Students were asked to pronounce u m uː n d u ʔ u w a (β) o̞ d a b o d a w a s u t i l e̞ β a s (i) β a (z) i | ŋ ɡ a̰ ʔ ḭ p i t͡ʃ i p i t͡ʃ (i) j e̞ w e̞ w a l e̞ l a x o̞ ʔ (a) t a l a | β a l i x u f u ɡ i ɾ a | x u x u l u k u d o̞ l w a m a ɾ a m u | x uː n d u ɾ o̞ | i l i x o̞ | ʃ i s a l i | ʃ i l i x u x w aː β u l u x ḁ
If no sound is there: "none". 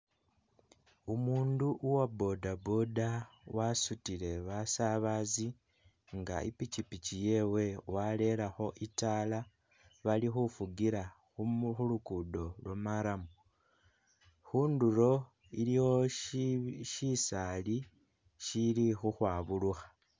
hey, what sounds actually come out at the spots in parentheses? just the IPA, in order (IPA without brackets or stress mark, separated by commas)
b, a, z, i, i